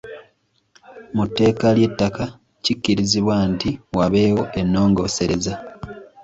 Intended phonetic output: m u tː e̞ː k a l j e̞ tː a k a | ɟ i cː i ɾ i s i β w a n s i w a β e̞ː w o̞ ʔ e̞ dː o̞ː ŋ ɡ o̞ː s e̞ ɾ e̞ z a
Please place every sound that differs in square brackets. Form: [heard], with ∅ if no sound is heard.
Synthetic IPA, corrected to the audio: m u tː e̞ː k a l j e̞ tː a k a | [c] i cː i ɾ i [z] i β w a n [t] i w a β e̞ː w o̞ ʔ e̞ [nː] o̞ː ŋ ɡ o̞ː s e̞ ɾ e̞ z a